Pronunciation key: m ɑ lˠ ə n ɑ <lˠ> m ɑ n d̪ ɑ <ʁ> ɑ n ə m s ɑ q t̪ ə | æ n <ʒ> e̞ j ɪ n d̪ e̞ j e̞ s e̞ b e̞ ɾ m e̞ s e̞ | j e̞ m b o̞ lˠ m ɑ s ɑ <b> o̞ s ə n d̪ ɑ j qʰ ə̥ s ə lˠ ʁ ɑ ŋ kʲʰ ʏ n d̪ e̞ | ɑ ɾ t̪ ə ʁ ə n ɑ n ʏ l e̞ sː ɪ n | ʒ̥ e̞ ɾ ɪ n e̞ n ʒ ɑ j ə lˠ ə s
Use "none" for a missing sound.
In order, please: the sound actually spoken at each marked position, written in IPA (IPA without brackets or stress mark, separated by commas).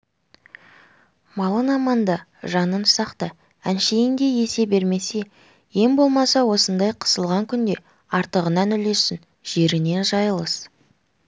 none, ʒ, ʃ, w